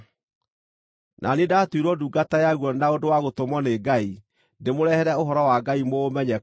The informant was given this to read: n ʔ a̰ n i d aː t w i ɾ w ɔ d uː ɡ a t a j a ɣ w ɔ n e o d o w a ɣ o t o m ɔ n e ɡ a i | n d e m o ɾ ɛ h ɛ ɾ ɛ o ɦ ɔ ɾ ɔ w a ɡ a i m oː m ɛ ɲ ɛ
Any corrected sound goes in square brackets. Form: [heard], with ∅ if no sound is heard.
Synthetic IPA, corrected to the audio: n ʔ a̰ n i d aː t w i ɾ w ɔ d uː ɡ a t a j a ɣ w ɔ n [a] o d o w a ɣ o t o m ɔ n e ɡ a i | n d e m o ɾ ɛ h ɛ ɾ ɛ o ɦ ɔ ɾ ɔ w a ɡ a i m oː m ɛ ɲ ɛ